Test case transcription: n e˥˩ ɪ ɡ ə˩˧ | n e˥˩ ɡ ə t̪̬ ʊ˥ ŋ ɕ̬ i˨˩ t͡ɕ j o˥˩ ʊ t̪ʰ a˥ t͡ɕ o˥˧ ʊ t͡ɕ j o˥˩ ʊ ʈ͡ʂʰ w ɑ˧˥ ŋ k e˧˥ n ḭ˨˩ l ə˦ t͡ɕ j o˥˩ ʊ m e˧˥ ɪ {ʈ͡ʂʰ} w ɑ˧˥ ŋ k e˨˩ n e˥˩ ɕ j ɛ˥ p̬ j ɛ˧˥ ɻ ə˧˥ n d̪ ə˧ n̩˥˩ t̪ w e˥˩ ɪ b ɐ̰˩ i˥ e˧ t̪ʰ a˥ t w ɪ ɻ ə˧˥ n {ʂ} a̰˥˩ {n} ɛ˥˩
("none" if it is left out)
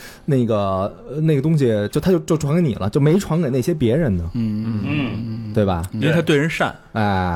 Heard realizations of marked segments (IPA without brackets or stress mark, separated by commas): ʈ͡ʂʰ, ʂ, n